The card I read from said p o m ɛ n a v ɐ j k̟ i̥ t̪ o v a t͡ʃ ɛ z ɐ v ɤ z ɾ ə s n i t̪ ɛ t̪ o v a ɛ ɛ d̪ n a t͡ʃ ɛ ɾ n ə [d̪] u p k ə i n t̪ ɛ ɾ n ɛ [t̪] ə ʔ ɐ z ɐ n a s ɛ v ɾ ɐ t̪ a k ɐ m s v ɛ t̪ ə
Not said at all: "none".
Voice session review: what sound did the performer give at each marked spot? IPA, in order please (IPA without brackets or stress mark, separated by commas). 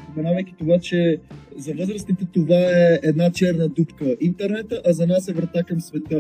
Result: d̪, t̪